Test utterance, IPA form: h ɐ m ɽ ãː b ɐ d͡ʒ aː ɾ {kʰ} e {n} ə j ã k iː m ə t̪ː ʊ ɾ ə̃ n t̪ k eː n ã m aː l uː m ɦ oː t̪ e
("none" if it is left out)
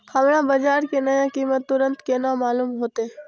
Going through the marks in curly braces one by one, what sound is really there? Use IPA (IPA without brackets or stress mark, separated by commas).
k, n